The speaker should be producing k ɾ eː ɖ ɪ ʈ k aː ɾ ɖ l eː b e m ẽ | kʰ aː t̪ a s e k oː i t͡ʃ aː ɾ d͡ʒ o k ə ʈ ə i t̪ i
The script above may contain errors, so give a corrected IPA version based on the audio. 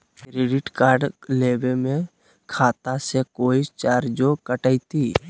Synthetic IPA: k ɾ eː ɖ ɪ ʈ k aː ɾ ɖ l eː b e m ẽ | kʰ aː t̪ a s e k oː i t͡ʃ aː ɾ d͡ʒ o k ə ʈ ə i t̪ i

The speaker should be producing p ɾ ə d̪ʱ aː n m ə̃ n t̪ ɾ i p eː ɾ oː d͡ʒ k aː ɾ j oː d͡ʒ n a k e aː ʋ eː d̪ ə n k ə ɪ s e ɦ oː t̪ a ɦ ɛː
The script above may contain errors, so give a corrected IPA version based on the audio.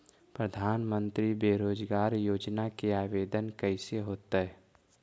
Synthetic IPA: p ɾ ə d̪ʱ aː n m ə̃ n t̪ ɾ i b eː ɾ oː d͡ʒ ɡ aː ɾ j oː d͡ʒ n a k e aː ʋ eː d̪ ə n k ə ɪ s e ɦ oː t̪ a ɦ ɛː

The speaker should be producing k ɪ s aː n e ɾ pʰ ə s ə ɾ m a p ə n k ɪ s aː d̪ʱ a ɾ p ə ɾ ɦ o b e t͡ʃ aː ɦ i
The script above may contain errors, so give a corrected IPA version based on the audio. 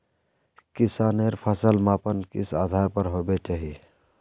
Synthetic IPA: k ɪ s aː n e ɾ pʰ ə s ə l m a p ə n k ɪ s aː d̪ʱ a ɾ p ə ɾ ɦ o b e t͡ʃ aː ɦ i

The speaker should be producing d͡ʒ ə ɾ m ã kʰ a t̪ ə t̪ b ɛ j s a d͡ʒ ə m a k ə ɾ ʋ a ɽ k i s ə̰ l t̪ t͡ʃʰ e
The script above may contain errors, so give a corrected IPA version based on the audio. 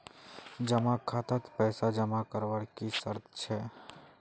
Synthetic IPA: d͡ʒ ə m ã kʰ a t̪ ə t̪ p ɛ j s a d͡ʒ ə m a k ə ɾ ʋ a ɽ k i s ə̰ ɾ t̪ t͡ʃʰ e

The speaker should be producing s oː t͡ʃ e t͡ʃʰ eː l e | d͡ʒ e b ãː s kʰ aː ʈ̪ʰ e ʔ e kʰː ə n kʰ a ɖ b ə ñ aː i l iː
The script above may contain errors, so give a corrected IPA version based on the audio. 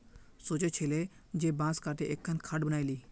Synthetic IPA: s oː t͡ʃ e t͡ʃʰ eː l e | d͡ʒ e b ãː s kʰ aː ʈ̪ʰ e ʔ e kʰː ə n kʰ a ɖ b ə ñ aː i l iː

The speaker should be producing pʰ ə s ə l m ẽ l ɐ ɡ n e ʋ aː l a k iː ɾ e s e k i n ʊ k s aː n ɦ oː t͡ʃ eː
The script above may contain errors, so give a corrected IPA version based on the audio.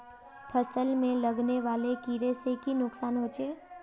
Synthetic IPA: pʰ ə s ə l m ẽ l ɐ ɡ n e ʋ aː l e k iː ɾ e s e k i n ʊ k s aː n ɦ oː t͡ʃ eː

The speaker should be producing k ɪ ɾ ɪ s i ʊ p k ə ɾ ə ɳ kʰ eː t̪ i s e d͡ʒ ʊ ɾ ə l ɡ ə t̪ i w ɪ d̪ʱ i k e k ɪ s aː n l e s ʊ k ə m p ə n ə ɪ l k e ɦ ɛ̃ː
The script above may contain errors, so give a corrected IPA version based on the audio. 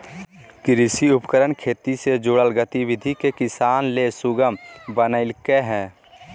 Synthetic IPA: k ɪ ɾ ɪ s i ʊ p k ə ɾ ə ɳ kʰ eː t̪ i s e d͡ʒ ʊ ɽ ə l ɡ ə t̪ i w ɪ d̪ʱ i k e k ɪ s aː n l e s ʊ ɡ ə m b ə n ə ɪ l k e ɦ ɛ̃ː

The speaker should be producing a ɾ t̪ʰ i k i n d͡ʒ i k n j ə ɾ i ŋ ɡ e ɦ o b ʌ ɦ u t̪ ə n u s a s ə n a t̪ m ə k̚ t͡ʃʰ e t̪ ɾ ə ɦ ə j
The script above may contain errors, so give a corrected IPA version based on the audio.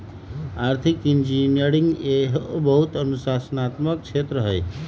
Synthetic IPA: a ɾ t̪ʰ i k i n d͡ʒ i n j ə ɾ i ŋ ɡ e ɦ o b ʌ ɦ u t̪ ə n u s a s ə n a t̪ m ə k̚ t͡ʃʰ e t̪ ɾ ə ɦ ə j

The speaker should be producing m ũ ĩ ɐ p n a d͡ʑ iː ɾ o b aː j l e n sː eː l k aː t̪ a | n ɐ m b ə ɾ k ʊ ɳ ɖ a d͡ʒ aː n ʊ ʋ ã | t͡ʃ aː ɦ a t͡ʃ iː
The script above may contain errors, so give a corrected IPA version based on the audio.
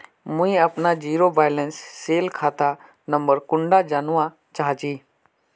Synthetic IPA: m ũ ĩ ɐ p n a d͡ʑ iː ɾ o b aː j l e n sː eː l kʰ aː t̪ a | n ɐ m b ə ɾ k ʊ ɳ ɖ a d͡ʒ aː n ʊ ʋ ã | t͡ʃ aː ɦ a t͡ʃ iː

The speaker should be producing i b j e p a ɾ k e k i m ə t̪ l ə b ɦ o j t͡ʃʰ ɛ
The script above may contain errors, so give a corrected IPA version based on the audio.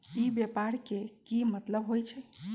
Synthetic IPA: i b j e p a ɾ k e k i m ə t̪ l ə b ɦ o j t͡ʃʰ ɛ

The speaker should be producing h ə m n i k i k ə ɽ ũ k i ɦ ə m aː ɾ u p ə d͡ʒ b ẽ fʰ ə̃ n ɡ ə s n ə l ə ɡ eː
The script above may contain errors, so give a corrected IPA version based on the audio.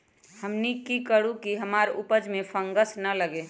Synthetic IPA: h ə m n i k i k ə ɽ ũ k i ɦ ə m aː ɾ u p ə d͡ʒ m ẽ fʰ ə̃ ŋ ɡ ə s n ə l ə ɡ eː

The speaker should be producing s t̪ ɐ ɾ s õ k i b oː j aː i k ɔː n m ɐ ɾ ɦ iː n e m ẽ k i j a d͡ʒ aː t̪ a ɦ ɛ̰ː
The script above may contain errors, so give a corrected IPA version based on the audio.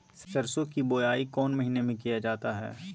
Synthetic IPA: s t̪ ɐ ɾ s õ k i b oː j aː i k ɔː n m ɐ ɦ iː n e m ẽ k i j a d͡ʒ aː t̪ a ɦ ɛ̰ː

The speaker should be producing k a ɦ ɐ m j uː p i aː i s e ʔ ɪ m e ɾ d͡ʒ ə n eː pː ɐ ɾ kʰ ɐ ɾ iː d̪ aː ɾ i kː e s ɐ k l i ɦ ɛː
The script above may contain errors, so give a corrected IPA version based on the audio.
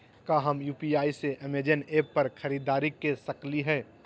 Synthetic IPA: k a ɦ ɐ m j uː p i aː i s e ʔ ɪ m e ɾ d͡ʒ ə n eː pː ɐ ɾ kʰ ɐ ɾ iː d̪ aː ɾ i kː e s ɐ k l i ɦ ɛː

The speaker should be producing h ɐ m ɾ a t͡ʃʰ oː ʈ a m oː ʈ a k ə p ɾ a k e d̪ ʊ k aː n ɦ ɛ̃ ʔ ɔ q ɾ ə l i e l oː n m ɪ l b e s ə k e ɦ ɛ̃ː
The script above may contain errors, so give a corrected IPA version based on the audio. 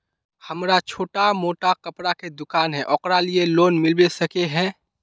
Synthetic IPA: h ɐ m ɾ a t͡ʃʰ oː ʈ a m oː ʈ a k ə p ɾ a k e d̪ ʊ k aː n ɦ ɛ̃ ʔ ɔ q ɾ a l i e l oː n m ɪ l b e s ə k e ɦ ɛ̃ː

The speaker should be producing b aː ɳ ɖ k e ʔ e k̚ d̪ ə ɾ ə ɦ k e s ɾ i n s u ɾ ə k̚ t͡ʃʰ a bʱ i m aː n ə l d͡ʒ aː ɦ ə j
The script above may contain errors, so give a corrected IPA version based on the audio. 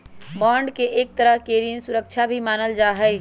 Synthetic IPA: b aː ɳ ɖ k e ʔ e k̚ t̪ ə ɾ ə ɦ k e ɾ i n s u ɾ ə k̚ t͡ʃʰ a bʱ i m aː n ə l d͡ʒ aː ɦ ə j

